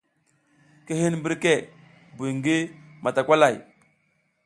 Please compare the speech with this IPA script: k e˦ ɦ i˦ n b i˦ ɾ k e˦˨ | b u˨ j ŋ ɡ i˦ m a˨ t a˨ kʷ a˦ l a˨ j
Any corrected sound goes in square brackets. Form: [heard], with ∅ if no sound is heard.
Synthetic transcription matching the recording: k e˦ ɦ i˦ n b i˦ ɾ k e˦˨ | b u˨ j ŋ ɡ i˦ m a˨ t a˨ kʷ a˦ l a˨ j